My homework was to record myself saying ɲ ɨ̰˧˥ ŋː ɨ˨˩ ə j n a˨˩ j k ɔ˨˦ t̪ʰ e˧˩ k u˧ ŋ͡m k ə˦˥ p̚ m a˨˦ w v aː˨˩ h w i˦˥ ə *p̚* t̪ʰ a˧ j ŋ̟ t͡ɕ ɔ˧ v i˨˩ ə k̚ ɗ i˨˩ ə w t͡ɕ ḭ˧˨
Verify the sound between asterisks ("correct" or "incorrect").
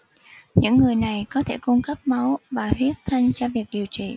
incorrect